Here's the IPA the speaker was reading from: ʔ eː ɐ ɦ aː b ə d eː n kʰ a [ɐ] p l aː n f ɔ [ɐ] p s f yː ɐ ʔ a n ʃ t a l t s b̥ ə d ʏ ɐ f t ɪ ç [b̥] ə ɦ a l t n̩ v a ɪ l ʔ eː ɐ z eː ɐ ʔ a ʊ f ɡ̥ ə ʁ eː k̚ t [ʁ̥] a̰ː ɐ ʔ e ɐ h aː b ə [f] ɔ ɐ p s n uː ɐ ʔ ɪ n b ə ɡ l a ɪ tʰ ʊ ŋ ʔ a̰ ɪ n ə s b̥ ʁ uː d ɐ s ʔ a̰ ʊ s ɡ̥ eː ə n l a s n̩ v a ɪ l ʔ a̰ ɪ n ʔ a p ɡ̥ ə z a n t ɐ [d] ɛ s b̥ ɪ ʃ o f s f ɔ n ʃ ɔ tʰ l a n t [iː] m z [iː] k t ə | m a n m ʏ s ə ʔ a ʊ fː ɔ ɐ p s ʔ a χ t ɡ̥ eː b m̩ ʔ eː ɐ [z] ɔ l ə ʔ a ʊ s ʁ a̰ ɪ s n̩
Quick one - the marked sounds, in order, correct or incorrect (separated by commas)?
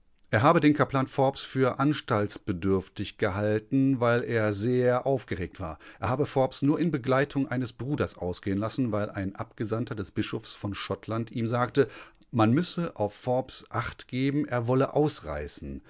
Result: correct, correct, incorrect, incorrect, correct, correct, correct, incorrect, incorrect